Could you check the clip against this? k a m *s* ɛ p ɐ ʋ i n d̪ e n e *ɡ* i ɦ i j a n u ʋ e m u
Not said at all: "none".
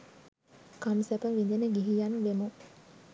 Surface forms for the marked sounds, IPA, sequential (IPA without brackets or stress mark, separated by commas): s, ɡ